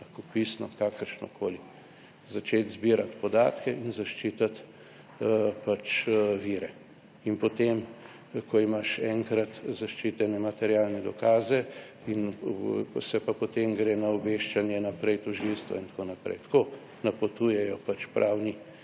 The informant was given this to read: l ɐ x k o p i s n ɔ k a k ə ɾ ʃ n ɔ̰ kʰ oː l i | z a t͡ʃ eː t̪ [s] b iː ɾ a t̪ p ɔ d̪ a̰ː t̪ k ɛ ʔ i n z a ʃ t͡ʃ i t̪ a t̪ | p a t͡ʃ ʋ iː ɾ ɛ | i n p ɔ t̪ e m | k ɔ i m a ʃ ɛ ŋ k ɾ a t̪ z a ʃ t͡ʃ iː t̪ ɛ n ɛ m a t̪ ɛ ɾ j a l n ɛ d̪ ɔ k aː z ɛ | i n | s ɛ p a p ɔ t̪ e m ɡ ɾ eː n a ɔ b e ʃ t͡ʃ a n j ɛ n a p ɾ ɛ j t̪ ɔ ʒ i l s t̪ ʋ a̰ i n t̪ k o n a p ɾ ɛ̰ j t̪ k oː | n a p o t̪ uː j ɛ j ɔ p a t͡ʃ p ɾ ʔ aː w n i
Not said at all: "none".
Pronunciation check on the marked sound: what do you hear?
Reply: z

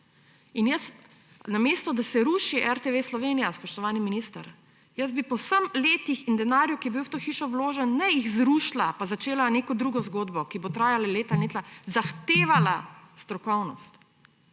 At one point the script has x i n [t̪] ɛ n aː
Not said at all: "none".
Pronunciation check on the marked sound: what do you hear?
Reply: d̪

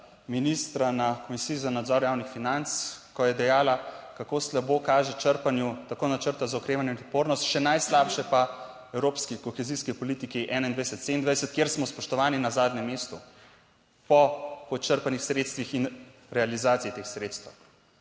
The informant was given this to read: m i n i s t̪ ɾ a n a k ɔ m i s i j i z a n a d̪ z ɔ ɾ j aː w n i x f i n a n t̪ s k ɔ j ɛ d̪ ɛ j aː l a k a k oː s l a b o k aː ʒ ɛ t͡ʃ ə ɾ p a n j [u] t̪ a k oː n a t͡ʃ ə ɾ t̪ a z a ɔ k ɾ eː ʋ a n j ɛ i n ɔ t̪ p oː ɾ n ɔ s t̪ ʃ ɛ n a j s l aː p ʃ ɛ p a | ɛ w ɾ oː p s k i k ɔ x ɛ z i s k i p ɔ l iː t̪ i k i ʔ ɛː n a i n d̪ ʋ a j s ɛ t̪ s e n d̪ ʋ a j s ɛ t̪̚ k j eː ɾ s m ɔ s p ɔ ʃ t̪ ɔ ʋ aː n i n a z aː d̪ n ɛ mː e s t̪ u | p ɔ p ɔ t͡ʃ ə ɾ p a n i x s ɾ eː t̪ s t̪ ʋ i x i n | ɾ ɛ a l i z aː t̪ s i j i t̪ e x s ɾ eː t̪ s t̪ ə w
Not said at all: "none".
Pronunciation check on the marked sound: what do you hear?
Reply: u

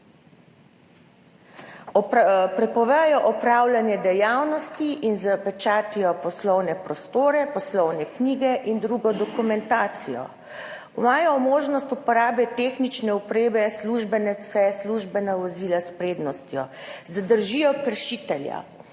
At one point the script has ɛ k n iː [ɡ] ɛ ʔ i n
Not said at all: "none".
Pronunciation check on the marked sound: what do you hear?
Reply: ɡ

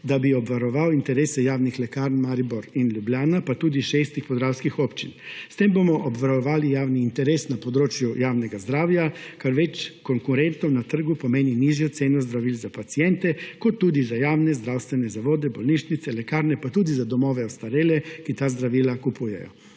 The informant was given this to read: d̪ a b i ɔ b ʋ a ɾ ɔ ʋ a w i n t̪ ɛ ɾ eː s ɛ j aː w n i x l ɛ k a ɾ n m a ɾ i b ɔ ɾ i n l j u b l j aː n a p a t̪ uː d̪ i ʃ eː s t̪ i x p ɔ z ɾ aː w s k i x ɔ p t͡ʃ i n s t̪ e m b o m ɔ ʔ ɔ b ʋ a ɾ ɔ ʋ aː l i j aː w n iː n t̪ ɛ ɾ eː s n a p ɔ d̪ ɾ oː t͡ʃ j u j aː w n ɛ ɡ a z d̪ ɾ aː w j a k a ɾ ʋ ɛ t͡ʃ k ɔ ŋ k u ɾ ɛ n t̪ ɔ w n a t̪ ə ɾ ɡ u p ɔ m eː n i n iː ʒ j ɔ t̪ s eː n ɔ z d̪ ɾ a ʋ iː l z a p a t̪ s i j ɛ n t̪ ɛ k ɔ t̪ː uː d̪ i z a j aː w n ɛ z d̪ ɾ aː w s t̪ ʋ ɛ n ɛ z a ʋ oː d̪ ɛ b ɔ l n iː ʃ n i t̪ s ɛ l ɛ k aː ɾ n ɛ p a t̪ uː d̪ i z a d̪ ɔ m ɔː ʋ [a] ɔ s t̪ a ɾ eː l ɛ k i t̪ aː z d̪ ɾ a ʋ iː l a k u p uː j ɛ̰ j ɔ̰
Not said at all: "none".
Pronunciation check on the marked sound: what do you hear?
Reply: ɛ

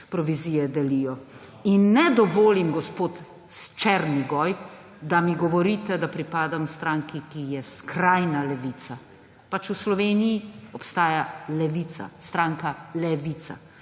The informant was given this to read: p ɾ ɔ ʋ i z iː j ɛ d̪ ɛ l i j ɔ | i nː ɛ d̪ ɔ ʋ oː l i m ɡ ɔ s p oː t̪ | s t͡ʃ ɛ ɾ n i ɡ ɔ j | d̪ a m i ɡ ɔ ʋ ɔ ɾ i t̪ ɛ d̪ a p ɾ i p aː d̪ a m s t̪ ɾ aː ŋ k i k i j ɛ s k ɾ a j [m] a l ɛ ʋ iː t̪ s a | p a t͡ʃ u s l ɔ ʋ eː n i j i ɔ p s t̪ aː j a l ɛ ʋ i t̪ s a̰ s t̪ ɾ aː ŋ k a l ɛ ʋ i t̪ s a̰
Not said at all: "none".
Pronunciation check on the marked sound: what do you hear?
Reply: n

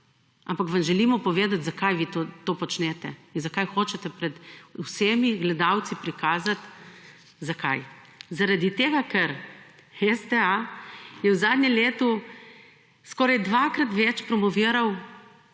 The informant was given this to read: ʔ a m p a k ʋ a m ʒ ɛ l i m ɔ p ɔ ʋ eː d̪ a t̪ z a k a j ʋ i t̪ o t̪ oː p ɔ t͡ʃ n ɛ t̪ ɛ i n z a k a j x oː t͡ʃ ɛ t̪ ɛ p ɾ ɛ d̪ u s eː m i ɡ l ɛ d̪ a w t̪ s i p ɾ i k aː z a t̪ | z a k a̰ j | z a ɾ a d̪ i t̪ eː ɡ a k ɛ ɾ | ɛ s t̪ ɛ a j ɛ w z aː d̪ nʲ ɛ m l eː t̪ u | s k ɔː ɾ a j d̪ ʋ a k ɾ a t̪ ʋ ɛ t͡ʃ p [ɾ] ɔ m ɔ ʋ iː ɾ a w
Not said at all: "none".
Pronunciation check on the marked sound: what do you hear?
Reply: ɾ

